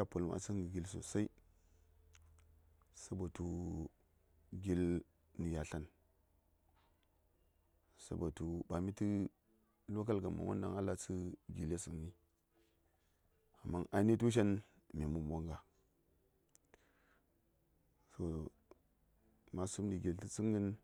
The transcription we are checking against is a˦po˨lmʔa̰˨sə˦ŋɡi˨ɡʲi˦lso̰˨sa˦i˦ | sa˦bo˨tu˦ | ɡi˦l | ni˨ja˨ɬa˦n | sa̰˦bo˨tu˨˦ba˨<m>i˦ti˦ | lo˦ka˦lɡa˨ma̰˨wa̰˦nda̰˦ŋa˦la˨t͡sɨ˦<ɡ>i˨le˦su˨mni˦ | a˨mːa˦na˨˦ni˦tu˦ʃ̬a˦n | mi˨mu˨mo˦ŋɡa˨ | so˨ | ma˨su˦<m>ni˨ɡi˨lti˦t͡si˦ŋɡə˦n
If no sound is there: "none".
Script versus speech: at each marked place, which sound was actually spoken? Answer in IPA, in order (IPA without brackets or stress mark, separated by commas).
m, ɡ, m